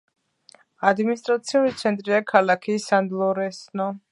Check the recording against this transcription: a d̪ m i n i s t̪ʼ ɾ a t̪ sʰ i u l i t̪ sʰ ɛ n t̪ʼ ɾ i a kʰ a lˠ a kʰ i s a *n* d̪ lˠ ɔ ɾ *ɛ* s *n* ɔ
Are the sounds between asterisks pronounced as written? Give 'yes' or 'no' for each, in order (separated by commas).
yes, yes, yes